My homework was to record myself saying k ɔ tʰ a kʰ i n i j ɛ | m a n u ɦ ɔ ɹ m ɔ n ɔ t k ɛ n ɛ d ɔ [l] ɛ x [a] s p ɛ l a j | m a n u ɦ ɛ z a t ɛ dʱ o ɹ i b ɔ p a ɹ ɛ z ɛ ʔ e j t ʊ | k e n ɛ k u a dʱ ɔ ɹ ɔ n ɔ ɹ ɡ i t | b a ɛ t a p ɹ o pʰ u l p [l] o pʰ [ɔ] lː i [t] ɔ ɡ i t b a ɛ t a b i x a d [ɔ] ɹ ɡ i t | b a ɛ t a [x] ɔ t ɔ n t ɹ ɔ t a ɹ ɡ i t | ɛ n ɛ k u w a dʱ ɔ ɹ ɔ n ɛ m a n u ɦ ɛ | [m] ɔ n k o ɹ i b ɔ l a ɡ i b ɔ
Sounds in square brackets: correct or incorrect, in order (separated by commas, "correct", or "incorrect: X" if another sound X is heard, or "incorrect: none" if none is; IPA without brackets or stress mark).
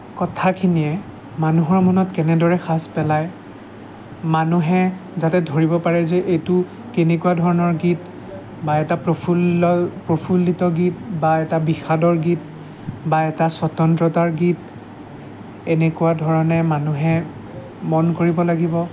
incorrect: ɹ, correct, incorrect: ɹ, incorrect: u, correct, correct, incorrect: s, correct